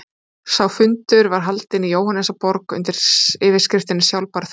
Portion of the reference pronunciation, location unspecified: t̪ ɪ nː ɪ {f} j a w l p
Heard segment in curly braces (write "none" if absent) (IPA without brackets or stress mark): s